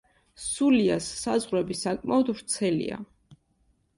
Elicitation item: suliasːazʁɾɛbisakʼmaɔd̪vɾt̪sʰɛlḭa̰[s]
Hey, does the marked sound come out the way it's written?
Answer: no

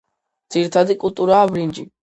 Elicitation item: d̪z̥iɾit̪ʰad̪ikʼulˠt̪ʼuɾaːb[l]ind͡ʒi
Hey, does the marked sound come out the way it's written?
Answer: no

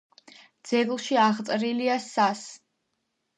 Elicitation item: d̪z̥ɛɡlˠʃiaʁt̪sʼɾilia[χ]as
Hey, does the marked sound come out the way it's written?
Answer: no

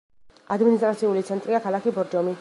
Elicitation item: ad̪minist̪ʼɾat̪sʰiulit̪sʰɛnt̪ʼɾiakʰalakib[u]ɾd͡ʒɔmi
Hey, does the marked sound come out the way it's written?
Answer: no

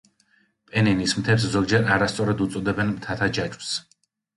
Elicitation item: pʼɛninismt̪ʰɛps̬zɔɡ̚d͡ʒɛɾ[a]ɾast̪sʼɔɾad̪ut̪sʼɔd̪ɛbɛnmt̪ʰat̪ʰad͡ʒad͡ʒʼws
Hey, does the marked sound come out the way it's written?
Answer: yes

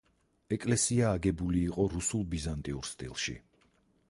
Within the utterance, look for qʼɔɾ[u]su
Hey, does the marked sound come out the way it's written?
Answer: yes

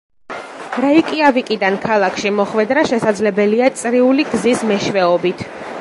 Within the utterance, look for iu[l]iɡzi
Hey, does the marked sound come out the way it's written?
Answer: yes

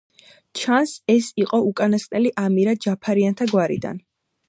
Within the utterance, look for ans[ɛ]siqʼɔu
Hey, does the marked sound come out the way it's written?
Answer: yes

